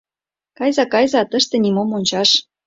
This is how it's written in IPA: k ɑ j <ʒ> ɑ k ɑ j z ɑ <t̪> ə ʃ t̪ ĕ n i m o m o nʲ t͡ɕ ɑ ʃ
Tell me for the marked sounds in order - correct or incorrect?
incorrect, correct

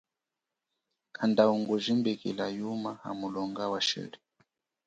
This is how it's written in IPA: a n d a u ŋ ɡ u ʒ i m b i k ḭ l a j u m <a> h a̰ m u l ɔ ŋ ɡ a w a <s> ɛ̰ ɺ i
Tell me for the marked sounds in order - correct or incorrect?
correct, incorrect

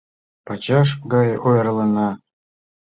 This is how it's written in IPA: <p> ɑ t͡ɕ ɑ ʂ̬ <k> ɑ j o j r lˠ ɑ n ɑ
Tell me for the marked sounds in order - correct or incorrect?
correct, incorrect

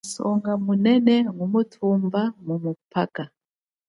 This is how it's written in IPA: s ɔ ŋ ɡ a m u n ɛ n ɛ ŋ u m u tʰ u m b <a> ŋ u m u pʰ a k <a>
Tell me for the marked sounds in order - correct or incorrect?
correct, correct

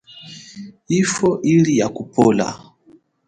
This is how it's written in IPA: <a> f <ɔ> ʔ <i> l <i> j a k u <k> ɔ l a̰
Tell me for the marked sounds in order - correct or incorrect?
incorrect, correct, correct, correct, incorrect

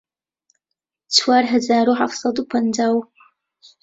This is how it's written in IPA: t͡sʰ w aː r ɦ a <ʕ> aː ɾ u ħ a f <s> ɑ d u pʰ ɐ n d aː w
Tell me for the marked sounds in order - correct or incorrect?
incorrect, correct

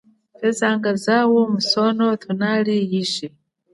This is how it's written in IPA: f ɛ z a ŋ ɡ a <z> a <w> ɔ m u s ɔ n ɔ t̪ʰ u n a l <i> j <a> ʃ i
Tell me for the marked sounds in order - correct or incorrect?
correct, correct, correct, incorrect

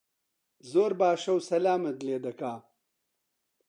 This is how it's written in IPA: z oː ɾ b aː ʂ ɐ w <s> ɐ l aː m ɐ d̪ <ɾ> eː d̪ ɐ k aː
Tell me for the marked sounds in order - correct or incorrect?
correct, incorrect

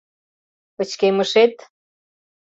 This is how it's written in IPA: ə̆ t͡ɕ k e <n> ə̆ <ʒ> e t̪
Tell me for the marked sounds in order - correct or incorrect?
incorrect, incorrect

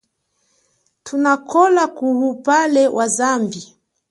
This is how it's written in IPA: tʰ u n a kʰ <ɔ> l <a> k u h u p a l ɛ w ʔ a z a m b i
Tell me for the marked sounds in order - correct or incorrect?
correct, correct

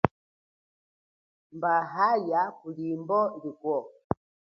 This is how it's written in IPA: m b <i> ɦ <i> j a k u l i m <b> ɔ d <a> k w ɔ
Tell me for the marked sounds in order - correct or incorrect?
incorrect, incorrect, correct, incorrect

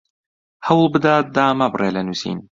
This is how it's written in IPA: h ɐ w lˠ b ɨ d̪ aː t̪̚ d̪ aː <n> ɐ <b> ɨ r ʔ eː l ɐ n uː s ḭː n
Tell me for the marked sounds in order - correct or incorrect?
incorrect, correct

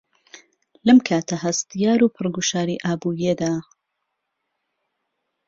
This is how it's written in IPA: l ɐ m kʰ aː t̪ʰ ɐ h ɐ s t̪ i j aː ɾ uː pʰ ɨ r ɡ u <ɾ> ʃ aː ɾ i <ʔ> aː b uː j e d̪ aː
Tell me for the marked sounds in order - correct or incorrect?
incorrect, correct

